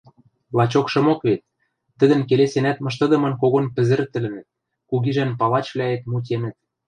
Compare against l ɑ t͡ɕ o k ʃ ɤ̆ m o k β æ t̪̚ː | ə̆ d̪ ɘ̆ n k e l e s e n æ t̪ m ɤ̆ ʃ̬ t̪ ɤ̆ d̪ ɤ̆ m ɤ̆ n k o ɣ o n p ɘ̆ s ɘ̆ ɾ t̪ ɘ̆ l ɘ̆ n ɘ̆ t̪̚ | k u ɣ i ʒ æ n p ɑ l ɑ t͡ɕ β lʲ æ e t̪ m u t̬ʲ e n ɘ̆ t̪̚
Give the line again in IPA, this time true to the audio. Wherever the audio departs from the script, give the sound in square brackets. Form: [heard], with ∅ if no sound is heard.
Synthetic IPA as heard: l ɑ t͡ɕ o k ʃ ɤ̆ m o k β [e] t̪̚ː | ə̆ d̪ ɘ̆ n k e l e s e n æ t̪ m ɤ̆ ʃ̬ t̪ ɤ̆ d̪ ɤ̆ m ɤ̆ n k o ɣ o n p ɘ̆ [z] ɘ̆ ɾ t̪ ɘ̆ l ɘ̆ n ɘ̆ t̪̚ | k u ɣ i ʒ æ n p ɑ l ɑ t͡ɕ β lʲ æ e t̪ m u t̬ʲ e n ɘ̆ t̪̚